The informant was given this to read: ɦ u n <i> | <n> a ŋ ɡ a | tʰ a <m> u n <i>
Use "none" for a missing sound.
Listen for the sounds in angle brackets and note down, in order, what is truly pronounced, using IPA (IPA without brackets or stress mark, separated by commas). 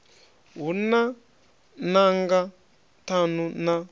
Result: a, n, n, a